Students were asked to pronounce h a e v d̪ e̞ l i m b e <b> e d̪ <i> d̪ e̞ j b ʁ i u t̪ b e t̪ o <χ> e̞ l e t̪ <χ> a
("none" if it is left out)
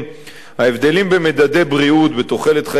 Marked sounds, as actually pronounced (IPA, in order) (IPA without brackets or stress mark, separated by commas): m, a, χ, χ